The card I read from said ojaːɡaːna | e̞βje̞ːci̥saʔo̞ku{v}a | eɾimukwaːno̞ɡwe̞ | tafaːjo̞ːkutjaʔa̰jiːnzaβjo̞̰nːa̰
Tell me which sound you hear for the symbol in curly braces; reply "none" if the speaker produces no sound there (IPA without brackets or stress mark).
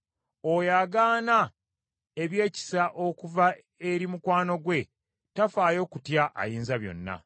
v